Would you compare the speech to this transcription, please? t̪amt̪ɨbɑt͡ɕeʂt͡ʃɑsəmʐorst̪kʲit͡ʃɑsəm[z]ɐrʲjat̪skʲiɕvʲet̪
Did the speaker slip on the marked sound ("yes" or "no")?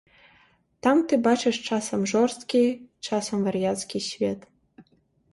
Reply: yes